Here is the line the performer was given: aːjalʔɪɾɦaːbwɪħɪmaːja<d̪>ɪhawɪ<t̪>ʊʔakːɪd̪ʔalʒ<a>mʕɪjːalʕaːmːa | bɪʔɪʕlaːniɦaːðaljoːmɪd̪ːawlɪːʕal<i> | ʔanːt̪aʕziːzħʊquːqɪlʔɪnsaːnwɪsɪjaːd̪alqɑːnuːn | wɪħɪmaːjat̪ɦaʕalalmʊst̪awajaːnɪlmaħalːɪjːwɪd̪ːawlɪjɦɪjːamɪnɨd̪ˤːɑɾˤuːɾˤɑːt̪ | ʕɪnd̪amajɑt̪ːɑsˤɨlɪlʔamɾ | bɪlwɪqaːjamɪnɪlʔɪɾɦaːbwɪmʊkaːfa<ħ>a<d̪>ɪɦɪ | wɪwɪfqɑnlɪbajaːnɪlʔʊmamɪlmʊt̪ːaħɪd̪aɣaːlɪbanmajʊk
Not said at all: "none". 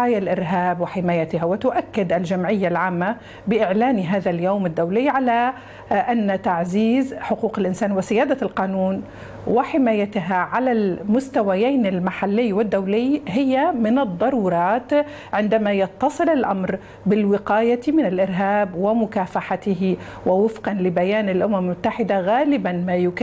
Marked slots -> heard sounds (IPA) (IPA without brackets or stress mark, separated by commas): t̪, t̪, a, a, ħ, t̪